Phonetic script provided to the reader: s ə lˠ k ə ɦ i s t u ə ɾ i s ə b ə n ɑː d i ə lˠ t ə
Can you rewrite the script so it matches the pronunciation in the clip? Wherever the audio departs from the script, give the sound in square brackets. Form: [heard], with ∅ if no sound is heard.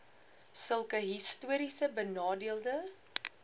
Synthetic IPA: s ə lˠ k ə ɦ i s t u ə ɾ i s ə b ə n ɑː d i ə lˠ [d] ə